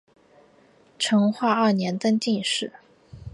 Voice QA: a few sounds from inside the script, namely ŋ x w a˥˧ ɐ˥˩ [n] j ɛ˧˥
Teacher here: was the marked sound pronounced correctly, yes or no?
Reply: yes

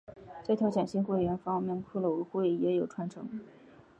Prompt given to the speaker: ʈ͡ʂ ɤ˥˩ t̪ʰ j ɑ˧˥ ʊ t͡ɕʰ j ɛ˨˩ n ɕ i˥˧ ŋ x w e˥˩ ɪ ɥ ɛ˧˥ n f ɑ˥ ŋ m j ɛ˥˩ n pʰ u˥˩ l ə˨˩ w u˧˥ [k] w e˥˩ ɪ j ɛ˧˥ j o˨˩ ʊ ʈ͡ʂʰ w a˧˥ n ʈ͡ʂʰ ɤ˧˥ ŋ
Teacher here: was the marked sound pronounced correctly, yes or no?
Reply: no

